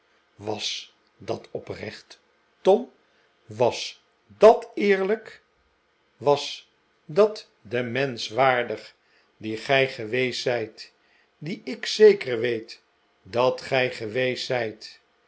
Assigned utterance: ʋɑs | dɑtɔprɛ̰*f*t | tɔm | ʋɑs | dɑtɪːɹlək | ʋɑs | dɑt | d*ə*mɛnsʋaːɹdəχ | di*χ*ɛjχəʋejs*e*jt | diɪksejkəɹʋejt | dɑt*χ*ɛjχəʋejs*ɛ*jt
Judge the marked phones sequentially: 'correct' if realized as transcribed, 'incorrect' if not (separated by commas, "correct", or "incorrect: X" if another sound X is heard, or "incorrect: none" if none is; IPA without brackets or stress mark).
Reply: incorrect: χ, correct, correct, incorrect: ɛ, correct, correct